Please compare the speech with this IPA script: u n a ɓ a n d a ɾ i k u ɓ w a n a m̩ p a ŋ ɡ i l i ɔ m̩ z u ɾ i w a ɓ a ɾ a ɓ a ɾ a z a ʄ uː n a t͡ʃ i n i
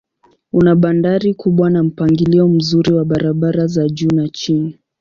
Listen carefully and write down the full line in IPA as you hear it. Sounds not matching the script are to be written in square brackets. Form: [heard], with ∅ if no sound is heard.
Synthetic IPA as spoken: u n a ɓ a n d a ɾ i k u ɓ w a n a m̩ p a ŋ ɡ i l i ɔ m̩ z u ɾ i w a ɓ a ɾ a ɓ a ɾ a z a ʄ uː n a t͡ʃ i n i